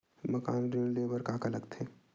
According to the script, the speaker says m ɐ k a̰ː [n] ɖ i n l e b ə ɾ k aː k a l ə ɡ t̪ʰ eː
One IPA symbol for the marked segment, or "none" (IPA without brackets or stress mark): n